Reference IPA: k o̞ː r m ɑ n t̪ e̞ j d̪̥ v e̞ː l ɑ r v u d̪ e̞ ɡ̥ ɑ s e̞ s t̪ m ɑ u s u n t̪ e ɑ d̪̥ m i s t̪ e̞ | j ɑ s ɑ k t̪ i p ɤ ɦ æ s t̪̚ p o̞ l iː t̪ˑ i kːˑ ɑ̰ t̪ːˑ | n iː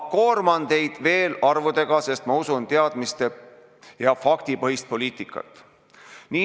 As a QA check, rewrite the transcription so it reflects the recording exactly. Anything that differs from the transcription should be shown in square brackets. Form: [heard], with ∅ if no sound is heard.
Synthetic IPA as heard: k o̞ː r m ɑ n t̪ e̞ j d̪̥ v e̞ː l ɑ r v u d̪ e̞ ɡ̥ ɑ s e̞ s t̪ m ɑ u s u n t̪ e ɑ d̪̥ m i s t̪ e̞ | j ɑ [f] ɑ k t̪ i p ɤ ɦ [i] s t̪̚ p o̞ l iː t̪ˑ i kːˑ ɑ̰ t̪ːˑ | n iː